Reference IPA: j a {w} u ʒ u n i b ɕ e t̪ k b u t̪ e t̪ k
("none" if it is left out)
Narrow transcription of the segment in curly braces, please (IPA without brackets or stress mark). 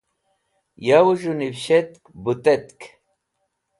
w